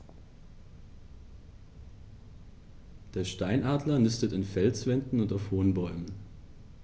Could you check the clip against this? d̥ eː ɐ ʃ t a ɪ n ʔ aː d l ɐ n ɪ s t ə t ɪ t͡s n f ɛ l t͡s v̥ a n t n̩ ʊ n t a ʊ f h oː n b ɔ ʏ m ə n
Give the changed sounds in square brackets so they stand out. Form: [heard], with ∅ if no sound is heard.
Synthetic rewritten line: d̥ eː ɐ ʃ t a ɪ n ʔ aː d l ɐ n ɪ s t ə t ɪ [∅] n f ɛ l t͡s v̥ [ɛ] n [d] n̩ ʊ n t a ʊ f h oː n b ɔ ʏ m ə n